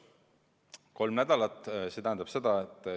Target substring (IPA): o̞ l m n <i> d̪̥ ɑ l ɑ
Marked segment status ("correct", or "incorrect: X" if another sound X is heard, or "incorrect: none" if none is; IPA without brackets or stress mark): incorrect: æ